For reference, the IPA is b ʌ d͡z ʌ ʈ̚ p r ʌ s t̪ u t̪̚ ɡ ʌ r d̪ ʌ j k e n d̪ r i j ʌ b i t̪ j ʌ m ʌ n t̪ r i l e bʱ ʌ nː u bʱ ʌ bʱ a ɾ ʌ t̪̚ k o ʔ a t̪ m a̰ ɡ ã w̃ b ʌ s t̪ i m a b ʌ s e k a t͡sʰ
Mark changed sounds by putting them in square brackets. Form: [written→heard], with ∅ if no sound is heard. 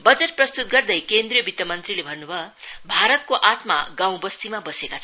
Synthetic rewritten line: b ʌ d͡z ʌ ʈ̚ p r ʌ s t̪ u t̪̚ ɡ ʌ r d̪ ʌ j k e n d̪ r i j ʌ b i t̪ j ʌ m ʌ n t̪ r i l e bʱ ʌ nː u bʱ ʌ bʱ a ɾ ʌ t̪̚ k o ʔ a t̪ m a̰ ɡ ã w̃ b ʌ s t̪ i m a b ʌ s e k a t͡sʰ

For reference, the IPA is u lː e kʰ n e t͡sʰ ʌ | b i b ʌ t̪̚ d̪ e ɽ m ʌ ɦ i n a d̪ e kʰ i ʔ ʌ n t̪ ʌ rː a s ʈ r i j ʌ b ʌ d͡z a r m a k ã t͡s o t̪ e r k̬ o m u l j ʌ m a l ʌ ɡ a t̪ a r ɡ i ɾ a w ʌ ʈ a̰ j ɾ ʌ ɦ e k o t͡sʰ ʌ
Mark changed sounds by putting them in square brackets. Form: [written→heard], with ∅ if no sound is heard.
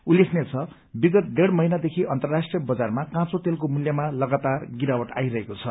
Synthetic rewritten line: u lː e kʰ n e t͡sʰ ʌ | b i [b→ɡ] ʌ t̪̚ d̪ e ɽ m ʌ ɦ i n a d̪ e kʰ i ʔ ʌ n t̪ ʌ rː a s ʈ r i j ʌ b ʌ d͡z a r m a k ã t͡s o t̪ e [r→l] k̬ o m u l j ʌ m a l ʌ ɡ a t̪ a r ɡ i ɾ a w ʌ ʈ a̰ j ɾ ʌ ɦ e k o t͡sʰ ʌ

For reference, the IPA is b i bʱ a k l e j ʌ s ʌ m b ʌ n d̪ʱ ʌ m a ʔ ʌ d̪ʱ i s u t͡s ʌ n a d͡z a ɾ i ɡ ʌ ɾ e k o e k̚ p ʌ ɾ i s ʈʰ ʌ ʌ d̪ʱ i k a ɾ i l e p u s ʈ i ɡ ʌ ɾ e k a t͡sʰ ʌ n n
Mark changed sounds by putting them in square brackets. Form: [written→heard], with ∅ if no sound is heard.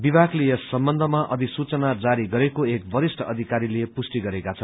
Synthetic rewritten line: b i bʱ a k l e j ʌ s ʌ m b ʌ n d̪ʱ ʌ m a ʔ ʌ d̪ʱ i s u t͡s ʌ n a d͡z a ɾ i ɡ ʌ ɾ e k o e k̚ [p→b] ʌ ɾ i s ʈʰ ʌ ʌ d̪ʱ i k a ɾ i l e p u s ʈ i ɡ ʌ ɾ e k a t͡sʰ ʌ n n

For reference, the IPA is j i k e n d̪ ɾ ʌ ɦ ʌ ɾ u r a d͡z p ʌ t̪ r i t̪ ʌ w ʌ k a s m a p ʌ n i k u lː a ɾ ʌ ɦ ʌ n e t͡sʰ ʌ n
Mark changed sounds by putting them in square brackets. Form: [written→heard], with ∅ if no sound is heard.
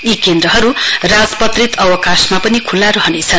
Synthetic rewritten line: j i k e n d̪ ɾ ʌ ɦ ʌ ɾ u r a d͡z p ʌ t̪ r i t̪ ʌ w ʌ k a s m a p ʌ n i [k→kʰ] u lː a ɾ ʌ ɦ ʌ n e t͡sʰ ʌ n

